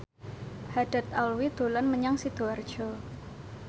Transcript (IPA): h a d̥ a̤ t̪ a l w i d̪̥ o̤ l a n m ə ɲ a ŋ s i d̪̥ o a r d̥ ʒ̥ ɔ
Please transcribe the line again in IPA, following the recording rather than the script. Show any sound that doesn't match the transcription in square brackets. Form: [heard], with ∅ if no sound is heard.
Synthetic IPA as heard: h a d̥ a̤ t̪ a l w i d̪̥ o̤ l a n m ə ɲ a ŋ s i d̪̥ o a r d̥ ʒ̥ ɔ